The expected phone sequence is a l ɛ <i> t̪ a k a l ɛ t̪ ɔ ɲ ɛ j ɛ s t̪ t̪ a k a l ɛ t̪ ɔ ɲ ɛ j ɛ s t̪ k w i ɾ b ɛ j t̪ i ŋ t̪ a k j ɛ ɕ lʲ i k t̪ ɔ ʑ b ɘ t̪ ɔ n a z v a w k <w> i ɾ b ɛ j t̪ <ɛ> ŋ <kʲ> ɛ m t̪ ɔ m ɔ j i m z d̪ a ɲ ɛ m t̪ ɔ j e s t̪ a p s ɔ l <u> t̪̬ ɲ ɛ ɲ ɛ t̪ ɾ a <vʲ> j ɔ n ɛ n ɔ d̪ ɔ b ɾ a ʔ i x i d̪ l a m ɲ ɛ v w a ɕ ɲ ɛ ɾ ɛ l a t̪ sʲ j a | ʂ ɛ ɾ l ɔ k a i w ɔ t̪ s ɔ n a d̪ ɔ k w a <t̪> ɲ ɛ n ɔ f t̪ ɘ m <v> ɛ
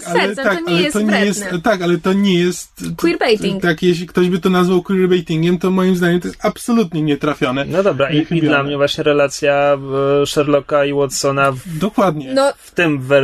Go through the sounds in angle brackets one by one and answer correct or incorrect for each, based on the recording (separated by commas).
incorrect, correct, incorrect, incorrect, correct, incorrect, incorrect, correct